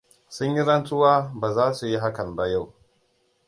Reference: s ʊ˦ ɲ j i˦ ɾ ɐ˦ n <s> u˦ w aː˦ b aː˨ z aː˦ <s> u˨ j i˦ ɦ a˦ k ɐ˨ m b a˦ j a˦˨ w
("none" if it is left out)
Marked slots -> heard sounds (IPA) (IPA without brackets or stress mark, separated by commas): t, s